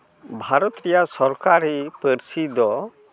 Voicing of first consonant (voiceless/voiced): voiced